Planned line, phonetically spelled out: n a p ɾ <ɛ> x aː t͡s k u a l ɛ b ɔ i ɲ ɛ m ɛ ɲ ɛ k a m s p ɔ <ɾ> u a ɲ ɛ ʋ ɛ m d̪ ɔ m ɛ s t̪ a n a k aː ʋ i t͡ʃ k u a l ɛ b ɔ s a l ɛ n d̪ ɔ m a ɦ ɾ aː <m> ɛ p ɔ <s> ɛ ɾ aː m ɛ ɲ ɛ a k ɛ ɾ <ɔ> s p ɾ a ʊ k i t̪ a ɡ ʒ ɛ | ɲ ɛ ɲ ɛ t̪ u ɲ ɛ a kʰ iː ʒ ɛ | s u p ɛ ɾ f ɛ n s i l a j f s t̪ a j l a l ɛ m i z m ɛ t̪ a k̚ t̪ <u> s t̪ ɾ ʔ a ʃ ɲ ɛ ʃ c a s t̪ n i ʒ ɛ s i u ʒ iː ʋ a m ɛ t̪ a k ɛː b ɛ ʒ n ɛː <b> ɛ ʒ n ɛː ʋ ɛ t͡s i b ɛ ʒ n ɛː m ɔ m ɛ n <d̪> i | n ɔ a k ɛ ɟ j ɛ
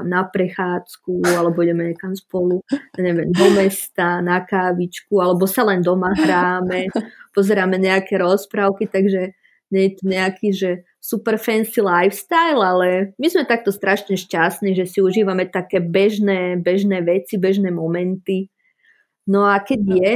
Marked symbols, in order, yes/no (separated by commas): yes, no, yes, no, yes, no, yes, no